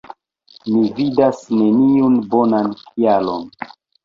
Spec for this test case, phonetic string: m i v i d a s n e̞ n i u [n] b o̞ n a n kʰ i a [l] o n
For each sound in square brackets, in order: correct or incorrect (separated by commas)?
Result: correct, correct